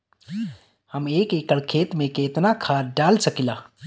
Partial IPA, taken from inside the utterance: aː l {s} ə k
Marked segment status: correct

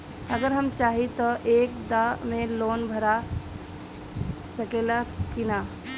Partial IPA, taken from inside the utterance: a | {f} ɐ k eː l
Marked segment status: incorrect: s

